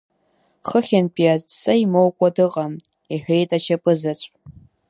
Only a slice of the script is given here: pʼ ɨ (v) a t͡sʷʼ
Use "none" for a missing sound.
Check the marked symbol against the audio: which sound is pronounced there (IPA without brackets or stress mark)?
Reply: z